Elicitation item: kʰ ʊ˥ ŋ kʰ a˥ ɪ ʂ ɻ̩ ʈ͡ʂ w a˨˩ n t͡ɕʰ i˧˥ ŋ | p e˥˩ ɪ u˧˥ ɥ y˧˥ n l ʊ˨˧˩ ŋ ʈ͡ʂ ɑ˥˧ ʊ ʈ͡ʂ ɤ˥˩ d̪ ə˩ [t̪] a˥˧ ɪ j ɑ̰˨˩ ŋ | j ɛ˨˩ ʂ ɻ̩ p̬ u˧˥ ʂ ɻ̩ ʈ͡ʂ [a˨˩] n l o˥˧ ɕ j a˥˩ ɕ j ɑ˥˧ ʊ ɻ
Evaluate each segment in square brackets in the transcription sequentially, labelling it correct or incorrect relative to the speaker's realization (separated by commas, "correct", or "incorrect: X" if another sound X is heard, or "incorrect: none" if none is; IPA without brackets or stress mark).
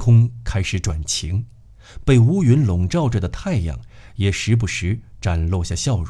incorrect: t̪ʰ, correct